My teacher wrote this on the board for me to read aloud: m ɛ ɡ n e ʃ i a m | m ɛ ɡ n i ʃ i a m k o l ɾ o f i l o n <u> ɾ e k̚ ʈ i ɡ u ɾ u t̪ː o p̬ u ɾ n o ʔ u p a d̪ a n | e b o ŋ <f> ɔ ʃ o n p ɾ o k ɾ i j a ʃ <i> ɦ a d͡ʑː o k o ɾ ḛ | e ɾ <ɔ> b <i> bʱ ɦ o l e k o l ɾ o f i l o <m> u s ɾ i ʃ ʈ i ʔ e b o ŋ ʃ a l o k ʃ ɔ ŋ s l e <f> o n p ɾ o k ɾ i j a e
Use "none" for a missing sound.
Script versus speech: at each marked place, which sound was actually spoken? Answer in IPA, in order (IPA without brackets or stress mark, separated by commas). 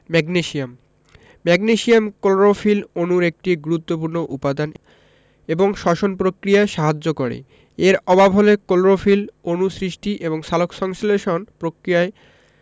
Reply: u, ʃ, a, ɔ, a, n, ʃ